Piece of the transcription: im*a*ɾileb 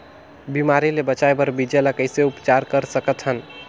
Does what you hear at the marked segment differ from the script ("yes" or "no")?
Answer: no